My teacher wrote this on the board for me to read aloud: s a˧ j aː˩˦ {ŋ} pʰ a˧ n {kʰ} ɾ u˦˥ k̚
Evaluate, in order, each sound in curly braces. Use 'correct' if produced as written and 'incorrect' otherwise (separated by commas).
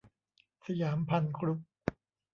incorrect, correct